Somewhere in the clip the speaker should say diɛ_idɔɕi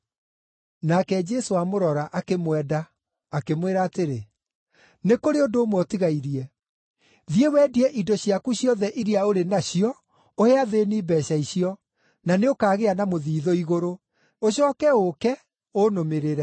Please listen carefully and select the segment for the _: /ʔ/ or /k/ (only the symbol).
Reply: ʔ